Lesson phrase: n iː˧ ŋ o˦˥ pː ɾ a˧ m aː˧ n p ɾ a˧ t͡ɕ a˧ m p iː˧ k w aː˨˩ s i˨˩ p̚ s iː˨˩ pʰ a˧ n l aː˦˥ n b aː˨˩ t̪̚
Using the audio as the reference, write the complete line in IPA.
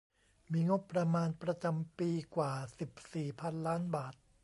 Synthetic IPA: m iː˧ ŋ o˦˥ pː ɾ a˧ m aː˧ n p ɾ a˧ t͡ɕ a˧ m p iː˧ k w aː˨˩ s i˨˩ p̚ s iː˨˩ pʰ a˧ n l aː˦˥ n b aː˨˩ t̪̚